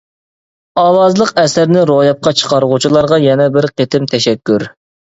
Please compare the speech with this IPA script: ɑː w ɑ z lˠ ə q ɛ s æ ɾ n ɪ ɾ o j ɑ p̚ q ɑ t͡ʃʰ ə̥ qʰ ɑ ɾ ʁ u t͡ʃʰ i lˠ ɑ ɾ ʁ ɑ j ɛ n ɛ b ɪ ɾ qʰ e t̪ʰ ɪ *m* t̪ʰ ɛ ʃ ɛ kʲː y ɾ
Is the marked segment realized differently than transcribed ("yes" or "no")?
no